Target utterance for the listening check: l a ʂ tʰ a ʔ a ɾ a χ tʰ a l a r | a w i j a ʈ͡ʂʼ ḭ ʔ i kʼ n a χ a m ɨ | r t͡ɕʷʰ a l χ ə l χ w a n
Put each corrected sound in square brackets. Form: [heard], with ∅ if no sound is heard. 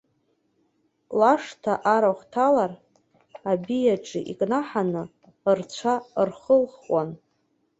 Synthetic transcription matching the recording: l a ʂ tʰ a ʔ a ɾ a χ tʰ a l a r | a [b] i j a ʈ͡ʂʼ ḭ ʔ i kʼ n a [ħ] a [n] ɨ | r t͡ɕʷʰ a [r] χ ə l χ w a n